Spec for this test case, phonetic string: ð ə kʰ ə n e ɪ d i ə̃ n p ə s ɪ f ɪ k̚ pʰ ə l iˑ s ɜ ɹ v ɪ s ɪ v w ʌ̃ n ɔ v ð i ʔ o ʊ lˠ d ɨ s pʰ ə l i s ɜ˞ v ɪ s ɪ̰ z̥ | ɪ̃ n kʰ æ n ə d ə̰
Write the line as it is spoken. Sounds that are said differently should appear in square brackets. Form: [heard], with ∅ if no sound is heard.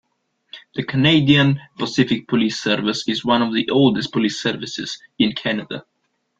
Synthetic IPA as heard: ð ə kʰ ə n e ɪ d i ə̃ n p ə s ɪ f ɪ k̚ pʰ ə l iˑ s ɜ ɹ v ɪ s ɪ [z] w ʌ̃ n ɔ v ð i ʔ o ʊ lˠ d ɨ s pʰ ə l i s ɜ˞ v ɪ s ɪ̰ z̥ | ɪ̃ n kʰ æ n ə d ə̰